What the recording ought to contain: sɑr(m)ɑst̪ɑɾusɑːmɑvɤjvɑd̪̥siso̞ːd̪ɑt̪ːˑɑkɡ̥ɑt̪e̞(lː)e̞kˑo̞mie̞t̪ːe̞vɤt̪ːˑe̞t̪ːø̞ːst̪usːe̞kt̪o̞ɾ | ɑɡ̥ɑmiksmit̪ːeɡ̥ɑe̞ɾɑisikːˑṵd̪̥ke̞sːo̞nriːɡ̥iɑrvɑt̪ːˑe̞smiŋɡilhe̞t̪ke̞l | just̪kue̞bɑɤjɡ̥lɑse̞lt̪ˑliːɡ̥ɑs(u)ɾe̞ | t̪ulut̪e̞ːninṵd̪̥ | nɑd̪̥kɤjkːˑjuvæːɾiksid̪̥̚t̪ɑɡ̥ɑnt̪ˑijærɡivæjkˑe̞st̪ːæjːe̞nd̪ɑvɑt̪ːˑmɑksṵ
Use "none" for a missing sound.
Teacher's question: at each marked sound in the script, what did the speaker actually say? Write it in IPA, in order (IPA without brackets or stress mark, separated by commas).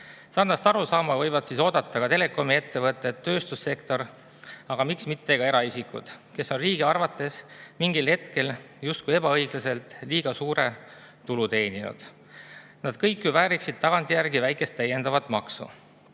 n, l, uː